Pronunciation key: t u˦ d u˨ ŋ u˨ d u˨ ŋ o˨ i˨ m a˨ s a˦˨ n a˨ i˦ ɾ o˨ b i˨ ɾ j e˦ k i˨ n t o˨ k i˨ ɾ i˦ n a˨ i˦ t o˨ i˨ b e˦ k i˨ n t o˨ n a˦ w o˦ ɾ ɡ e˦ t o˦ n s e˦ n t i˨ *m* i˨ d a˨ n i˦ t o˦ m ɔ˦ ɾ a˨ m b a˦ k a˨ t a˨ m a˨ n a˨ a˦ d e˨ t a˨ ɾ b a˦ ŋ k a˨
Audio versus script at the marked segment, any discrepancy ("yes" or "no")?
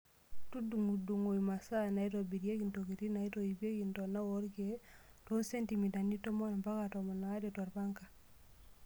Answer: no